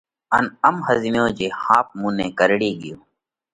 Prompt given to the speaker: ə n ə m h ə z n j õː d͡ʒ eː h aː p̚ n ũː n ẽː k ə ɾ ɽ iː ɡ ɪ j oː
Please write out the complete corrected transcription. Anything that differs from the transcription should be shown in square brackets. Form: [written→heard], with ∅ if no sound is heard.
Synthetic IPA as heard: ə n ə m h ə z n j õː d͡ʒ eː h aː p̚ [n→m] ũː n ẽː k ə ɾ ɽ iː ɡ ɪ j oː